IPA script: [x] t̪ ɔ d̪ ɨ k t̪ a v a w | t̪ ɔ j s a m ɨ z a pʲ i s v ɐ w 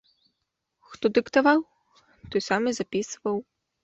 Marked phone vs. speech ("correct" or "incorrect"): correct